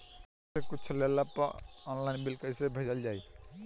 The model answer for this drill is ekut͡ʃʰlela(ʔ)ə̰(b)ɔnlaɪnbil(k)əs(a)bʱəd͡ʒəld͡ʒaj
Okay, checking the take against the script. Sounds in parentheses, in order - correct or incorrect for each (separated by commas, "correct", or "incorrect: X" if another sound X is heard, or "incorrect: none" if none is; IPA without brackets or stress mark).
incorrect: p, incorrect: none, correct, incorrect: e